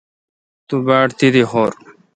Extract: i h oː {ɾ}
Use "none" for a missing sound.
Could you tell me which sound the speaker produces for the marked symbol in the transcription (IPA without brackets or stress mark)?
ɾ